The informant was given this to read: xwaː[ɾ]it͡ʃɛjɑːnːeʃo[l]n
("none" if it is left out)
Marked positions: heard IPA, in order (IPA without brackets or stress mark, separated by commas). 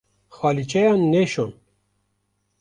l, none